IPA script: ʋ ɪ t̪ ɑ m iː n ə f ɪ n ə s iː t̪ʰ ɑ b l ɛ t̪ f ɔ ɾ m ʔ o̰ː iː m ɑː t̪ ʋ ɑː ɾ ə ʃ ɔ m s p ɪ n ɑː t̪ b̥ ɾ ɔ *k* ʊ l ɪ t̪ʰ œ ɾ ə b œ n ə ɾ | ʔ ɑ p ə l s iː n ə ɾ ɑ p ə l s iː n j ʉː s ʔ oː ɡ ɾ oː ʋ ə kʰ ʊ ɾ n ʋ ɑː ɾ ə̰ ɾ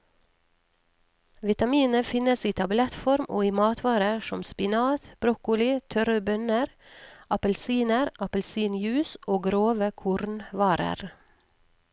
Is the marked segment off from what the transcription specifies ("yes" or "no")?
no